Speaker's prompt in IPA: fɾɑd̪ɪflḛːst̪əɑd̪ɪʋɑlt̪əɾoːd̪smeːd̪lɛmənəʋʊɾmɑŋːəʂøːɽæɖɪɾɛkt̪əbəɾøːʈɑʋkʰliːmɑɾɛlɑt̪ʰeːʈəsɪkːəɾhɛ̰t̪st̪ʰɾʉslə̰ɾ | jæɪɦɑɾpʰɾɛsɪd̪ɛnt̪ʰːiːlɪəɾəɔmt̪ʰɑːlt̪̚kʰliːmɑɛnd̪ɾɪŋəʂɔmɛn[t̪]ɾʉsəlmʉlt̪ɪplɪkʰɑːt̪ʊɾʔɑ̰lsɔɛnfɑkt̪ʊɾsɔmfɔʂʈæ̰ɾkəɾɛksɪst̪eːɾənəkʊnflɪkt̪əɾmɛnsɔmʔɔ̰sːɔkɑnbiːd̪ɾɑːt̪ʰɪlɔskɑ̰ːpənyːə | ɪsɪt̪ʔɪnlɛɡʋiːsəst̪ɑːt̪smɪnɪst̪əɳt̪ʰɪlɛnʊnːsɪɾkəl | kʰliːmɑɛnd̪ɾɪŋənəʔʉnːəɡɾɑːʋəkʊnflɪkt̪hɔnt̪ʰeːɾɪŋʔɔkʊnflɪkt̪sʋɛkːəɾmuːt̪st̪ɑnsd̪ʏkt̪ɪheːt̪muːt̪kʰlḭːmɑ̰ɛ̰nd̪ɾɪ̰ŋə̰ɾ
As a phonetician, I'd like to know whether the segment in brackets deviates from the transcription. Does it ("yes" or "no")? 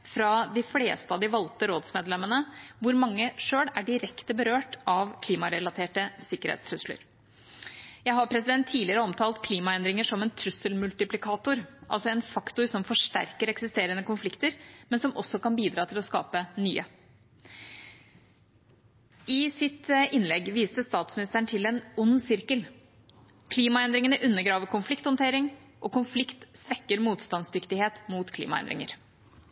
yes